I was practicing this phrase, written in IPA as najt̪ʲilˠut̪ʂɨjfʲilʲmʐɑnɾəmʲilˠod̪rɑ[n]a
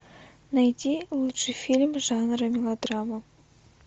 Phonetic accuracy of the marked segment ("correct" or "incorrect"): incorrect